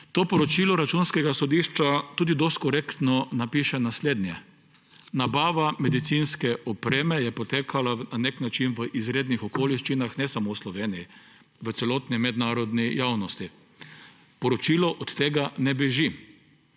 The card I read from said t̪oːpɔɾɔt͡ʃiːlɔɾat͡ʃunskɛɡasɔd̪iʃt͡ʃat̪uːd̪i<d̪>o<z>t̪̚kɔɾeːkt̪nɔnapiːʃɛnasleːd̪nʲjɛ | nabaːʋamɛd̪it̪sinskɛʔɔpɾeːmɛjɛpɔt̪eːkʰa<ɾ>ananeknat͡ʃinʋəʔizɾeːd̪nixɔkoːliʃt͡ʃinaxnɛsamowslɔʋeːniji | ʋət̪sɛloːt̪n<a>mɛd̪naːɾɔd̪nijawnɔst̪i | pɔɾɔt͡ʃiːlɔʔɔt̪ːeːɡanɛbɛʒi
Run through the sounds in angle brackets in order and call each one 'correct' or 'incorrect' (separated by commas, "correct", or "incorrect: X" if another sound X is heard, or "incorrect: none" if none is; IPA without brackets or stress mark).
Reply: correct, incorrect: s, incorrect: l, incorrect: i